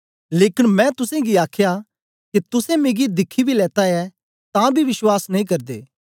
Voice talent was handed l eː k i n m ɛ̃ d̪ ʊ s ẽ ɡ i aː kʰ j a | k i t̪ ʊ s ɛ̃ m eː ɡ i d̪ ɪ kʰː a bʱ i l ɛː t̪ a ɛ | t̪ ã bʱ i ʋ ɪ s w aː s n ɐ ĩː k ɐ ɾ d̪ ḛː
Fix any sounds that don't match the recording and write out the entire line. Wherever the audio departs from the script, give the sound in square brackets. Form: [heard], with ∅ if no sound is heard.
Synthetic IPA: l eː k [ɪ] n m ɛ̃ [t̪] ʊ s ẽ ɡ i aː kʰ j a | k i t̪ ʊ s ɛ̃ m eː ɡ i d̪ ɪ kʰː [i] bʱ i l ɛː t̪ a ɛ | t̪ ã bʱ i ʋ ɪ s w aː s n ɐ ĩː k ɐ ɾ d̪ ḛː